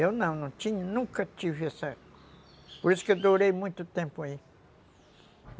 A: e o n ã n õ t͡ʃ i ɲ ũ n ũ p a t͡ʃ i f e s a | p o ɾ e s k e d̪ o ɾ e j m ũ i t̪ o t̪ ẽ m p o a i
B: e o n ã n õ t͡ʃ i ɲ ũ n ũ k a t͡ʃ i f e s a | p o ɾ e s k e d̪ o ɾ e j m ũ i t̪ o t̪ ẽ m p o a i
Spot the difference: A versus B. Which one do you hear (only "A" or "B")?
B